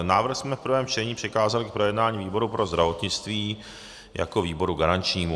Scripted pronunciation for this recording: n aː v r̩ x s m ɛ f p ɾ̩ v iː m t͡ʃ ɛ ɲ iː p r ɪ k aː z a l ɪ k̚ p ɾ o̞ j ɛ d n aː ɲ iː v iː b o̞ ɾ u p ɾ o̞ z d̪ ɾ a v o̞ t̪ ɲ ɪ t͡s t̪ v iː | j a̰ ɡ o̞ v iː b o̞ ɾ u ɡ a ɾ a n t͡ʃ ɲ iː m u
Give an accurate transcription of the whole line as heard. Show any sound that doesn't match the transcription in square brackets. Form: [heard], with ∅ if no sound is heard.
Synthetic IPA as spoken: n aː v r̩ x s m ɛ f p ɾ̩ v [ɛː] m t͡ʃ ɛ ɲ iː p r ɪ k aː z a l ɪ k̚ p ɾ o̞ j ɛ d n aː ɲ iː v iː b o̞ ɾ u p ɾ o̞ z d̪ ɾ a v o̞ t̪ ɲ ɪ t͡s t̪ v iː | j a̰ [k] o̞ v iː b o̞ ɾ u ɡ a ɾ a n t͡ʃ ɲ iː m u